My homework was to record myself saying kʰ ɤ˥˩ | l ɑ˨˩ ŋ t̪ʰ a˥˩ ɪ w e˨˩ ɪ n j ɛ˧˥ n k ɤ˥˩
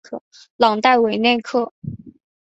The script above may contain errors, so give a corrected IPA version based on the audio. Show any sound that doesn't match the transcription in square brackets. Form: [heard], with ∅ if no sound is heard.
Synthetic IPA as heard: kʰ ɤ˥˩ | l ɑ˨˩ ŋ [t̪] a˥˩ ɪ w e˨˩ ɪ n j [ɛ˥˩] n [kʰ] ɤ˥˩